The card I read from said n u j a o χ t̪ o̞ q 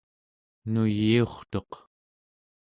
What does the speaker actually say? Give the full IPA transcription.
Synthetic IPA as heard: n u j i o χ t̪ o̞ q